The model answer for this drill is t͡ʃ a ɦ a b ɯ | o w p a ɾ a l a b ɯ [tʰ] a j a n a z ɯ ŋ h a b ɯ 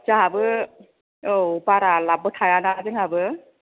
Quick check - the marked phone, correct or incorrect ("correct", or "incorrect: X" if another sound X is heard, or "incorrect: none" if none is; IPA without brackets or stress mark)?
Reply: correct